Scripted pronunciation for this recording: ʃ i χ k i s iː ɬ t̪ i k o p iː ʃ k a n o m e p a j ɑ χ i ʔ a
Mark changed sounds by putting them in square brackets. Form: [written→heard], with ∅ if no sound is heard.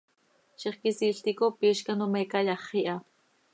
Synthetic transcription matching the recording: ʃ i χ k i s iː ɬ t̪ i k o p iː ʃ k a n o m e [p→k] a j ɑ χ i ʔ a